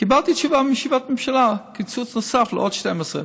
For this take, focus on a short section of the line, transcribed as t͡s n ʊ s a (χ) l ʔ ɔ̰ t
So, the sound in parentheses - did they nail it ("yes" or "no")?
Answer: no